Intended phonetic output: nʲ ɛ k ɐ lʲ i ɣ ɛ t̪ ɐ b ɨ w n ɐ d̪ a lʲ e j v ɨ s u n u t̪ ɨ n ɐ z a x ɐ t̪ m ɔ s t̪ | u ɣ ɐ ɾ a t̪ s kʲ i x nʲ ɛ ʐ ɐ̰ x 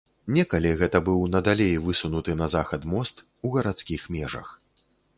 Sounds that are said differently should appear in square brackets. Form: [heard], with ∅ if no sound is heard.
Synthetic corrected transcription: nʲ ɛ k ɐ lʲ i ɣ ɛ t̪ ɐ b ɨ w n ɐ d̪ a lʲ e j v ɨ s u n u t̪ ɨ n ɐ z a x ɐ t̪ m ɔ s t̪ | u ɣ ɐ ɾ a t̪ s kʲ i x [mʲ] ɛ ʐ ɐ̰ x